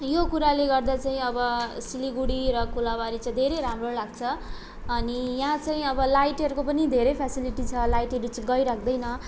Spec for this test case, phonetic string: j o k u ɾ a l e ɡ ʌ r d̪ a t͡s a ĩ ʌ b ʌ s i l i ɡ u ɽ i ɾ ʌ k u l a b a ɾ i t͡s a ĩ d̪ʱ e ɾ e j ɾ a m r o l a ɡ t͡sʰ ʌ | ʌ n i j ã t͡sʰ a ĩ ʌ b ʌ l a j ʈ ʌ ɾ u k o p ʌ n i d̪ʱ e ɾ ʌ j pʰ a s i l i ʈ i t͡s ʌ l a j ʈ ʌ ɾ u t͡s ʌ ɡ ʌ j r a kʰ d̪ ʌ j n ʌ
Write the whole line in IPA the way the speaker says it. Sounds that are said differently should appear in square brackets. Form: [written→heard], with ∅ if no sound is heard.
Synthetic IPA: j o k u ɾ a l e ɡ ʌ r d̪ a t͡s a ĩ ʌ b ʌ s i l i ɡ u ɽ i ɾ ʌ k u l a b a ɾ i t͡s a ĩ d̪ʱ e ɾ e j ɾ a m r o l a ɡ t͡sʰ ʌ | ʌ n i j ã [t͡sʰ→t͡s] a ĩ ʌ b ʌ l a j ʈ ʌ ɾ u k o p ʌ n i d̪ʱ e ɾ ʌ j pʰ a s i l i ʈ i [t͡s→t͡sʰ] ʌ l a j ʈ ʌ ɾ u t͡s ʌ ɡ ʌ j [r→ɾ] a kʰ d̪ ʌ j n ʌ